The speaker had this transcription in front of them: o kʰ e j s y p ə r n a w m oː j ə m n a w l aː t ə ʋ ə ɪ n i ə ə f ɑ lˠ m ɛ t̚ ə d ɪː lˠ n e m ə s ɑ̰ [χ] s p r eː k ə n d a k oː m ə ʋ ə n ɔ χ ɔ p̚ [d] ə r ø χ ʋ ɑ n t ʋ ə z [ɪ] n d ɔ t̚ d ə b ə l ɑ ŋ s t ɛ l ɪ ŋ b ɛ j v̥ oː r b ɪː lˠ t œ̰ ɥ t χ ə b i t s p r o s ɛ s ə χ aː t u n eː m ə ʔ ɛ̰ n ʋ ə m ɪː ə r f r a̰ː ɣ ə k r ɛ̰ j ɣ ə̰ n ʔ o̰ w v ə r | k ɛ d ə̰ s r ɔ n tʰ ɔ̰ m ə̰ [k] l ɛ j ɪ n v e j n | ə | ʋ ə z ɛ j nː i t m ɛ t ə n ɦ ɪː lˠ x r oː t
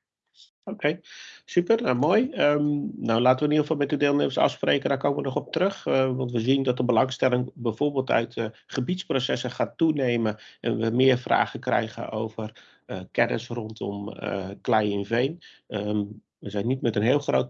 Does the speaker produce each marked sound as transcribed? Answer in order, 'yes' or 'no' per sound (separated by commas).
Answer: no, no, no, yes